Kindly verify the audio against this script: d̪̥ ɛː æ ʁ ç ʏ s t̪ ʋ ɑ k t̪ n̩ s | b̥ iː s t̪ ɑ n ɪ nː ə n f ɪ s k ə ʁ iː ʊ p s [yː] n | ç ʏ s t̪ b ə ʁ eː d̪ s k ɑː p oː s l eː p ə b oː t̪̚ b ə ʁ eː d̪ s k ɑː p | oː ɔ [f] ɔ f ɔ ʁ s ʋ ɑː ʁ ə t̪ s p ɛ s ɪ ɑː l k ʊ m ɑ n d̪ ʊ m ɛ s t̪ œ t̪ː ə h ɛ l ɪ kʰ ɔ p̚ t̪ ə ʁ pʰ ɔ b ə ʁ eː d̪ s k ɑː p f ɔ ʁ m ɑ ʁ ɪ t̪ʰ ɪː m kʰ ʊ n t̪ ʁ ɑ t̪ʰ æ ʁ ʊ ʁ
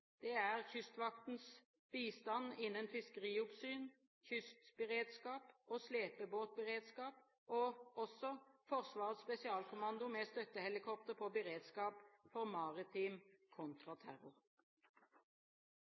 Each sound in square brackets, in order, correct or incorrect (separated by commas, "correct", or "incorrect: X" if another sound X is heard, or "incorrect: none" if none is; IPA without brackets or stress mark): correct, incorrect: s